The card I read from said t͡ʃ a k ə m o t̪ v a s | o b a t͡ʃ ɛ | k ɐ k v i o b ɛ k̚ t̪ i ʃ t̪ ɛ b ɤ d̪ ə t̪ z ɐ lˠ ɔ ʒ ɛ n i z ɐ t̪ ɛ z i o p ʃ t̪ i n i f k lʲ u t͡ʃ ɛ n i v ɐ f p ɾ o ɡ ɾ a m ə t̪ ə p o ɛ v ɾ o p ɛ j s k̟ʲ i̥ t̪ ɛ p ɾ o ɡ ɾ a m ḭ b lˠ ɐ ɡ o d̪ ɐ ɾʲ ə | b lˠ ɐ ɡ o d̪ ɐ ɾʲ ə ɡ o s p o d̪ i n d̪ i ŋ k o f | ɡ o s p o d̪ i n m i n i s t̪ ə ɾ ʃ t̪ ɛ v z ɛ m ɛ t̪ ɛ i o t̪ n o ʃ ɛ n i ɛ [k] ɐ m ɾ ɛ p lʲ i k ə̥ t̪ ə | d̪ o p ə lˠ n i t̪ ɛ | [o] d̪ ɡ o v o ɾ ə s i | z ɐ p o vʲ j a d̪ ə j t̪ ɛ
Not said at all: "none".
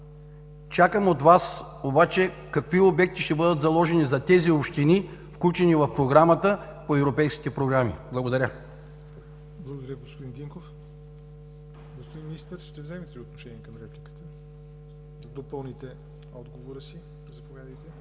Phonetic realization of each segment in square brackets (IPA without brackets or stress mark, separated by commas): k, ɔ